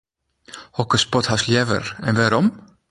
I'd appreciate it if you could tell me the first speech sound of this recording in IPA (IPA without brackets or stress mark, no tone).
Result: h